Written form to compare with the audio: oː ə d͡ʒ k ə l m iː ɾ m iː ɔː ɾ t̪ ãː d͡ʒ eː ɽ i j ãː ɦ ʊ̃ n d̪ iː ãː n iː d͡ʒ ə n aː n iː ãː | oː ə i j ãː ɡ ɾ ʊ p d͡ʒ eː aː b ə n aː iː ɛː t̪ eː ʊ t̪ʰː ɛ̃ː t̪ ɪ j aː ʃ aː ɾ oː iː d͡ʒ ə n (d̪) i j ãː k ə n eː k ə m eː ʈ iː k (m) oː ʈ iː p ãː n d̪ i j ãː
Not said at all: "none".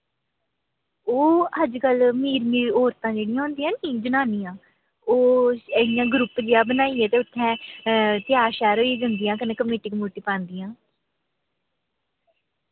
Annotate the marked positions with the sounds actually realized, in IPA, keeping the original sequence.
d̪, m

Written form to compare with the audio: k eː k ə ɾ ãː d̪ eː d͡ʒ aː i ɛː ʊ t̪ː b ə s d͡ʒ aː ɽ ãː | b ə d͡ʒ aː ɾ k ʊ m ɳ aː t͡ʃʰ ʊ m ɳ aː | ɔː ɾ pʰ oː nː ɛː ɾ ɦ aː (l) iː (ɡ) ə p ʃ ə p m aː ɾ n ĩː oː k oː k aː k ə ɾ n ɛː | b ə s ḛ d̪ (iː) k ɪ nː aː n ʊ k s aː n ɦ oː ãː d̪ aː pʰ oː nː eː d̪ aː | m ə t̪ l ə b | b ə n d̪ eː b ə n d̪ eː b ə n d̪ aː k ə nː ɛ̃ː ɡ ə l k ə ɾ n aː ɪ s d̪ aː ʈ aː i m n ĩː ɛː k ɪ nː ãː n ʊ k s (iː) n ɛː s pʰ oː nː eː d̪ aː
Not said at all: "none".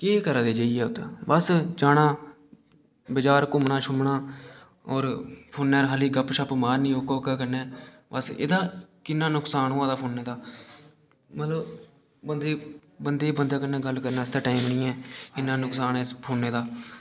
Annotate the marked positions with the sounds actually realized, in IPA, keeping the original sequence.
l, ɡ, aː, aː

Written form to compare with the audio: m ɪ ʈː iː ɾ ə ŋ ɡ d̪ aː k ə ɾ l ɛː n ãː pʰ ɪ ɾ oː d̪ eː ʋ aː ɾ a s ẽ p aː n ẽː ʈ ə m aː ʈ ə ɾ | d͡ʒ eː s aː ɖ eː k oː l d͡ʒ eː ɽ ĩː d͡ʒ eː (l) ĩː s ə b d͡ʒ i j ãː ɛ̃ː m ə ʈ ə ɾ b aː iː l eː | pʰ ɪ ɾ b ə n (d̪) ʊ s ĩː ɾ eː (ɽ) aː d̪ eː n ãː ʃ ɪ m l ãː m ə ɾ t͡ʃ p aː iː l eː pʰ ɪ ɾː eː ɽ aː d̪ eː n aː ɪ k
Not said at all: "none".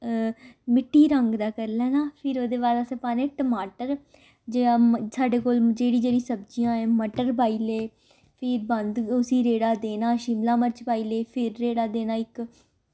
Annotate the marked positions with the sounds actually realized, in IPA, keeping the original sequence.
ɽ, d̪, ɽ

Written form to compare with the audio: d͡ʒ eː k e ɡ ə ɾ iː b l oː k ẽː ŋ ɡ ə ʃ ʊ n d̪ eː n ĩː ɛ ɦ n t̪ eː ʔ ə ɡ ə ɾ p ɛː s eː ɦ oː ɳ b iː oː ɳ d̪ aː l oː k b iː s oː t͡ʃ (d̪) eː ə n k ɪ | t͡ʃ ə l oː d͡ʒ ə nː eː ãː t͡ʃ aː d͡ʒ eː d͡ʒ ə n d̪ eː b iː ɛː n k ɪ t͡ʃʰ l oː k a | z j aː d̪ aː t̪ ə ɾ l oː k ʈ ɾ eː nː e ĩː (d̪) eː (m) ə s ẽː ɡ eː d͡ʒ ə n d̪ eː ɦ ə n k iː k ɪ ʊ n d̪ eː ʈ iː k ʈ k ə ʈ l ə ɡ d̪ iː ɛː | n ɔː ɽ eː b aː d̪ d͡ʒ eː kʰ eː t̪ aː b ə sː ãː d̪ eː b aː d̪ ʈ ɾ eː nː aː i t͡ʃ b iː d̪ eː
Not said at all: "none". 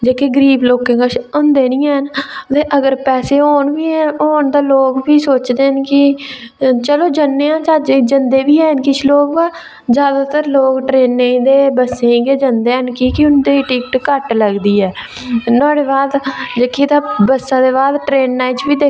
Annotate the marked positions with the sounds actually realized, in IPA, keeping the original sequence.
d̪, d̪, b

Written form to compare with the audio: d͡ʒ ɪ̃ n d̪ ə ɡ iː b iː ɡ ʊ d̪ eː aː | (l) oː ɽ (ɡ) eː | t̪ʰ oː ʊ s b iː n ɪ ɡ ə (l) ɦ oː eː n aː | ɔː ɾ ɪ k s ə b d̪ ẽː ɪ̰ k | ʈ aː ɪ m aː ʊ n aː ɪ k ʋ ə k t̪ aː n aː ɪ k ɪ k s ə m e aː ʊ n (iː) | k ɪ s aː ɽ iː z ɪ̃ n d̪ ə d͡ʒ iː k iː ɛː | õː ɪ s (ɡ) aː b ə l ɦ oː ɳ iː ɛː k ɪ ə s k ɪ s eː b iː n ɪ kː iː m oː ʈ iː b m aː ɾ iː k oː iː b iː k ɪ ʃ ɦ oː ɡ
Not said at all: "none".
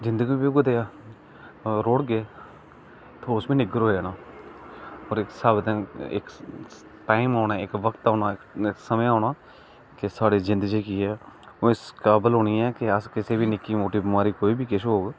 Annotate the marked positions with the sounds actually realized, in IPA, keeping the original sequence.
ɾ, ɡ, ɾ, aː, k

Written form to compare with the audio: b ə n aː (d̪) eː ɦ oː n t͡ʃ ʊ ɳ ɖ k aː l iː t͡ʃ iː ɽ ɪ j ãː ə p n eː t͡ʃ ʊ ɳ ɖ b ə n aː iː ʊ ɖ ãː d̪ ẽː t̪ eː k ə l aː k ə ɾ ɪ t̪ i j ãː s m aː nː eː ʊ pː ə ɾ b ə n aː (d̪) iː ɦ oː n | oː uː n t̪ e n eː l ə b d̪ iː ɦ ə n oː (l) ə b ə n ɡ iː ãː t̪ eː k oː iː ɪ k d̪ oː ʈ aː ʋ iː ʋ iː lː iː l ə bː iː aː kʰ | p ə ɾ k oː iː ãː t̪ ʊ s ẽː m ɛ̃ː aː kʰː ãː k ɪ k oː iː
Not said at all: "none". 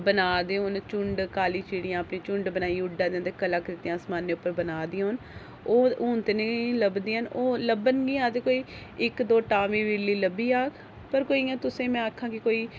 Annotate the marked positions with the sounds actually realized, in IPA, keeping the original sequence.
d̪, d̪, l

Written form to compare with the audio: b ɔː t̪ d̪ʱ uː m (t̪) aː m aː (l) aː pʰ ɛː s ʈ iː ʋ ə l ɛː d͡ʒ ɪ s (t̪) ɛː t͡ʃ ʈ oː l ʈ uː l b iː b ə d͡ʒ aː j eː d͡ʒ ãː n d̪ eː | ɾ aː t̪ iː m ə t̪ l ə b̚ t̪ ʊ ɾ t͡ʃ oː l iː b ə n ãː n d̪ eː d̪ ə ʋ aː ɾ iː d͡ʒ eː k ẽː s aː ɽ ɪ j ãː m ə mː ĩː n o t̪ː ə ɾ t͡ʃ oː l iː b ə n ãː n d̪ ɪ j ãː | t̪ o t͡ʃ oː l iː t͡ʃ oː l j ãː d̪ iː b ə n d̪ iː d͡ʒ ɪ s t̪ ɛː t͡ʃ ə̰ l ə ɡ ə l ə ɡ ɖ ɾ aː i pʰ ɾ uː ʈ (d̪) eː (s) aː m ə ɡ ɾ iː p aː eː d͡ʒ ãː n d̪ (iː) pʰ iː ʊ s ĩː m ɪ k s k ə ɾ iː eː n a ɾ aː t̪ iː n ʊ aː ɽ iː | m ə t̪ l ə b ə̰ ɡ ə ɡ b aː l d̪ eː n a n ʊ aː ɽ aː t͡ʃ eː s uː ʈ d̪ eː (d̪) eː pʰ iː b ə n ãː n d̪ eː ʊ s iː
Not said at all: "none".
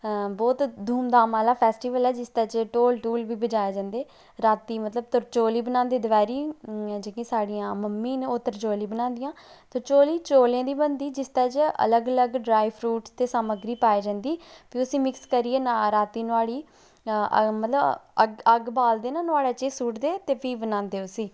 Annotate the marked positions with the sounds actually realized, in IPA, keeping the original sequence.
d̪, l, t̪, t̪, s, iː, t̪

